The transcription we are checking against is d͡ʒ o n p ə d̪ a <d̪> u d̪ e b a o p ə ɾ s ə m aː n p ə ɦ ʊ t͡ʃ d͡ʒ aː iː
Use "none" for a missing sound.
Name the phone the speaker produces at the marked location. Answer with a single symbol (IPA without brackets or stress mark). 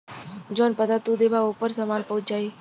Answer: t̪